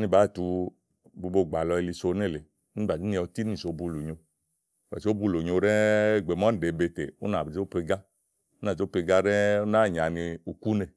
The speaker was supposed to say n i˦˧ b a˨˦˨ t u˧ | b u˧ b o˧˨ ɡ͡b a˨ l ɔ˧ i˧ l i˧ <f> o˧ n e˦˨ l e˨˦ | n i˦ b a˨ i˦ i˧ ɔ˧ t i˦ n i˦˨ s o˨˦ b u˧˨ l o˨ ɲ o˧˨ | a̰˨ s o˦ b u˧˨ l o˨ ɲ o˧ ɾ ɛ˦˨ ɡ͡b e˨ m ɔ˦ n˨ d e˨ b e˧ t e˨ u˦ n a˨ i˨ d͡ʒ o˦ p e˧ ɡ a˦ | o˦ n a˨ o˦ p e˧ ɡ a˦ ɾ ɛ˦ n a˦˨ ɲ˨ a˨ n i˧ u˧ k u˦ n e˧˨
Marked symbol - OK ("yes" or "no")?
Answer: no